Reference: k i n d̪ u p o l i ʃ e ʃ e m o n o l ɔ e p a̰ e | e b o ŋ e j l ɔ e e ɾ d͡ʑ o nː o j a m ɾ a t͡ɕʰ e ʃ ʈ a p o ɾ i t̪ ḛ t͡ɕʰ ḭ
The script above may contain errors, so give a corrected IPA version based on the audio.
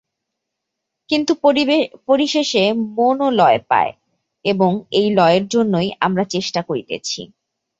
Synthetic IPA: k i n t̪ u p o ɾ i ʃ e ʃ e m o n o l ɔ e p a̰ e | e b o ŋ e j l ɔ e e ɾ d͡ʑ o nː o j a m ɾ a t͡ɕ e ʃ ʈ a k o ɾ i t̪ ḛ t͡ɕʰ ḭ